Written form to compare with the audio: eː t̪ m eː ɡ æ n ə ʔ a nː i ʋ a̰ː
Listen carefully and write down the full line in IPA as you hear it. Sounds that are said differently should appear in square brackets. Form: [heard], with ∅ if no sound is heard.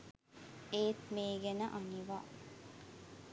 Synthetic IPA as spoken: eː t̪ m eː ɡ [e] n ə ʔ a [n] i ʋ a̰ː